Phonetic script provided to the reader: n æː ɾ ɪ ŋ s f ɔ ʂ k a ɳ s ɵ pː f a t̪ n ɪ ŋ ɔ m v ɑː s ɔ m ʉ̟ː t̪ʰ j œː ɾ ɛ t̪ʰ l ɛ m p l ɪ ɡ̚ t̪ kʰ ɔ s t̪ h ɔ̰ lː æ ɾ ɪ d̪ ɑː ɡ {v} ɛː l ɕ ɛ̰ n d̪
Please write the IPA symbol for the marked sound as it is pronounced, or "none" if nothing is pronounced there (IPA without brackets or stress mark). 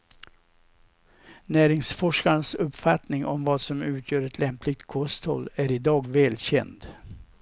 v